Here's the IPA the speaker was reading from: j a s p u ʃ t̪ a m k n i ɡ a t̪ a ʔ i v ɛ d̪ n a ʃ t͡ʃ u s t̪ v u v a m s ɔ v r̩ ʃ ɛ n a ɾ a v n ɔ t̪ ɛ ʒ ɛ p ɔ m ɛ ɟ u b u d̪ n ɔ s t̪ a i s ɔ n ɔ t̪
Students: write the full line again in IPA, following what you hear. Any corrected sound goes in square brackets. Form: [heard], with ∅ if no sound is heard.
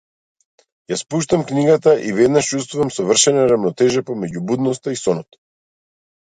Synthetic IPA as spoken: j a s p u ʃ t̪ a m k n i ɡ a t̪ a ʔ i v ɛ d̪ n a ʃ t͡ʃ u s t̪ v u v a m s ɔ v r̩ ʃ ɛ n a ɾ a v n ɔ t̪ ɛ ʒ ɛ p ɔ m ɛ ɟ u b u d̪ n ɔ s t̪ a i s ɔ n ɔ t̪